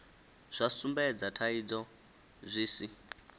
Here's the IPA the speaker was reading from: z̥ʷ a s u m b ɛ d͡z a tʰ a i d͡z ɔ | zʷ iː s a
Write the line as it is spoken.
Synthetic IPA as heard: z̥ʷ a s u m b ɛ d͡z a tʰ a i d͡z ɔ | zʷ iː s i